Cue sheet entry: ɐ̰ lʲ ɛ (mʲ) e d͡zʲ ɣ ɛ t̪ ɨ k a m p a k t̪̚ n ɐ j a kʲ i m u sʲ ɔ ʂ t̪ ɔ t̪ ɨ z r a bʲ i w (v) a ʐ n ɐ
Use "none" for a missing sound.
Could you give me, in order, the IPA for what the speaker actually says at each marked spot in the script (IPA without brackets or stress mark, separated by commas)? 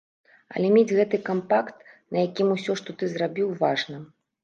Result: mʲ, v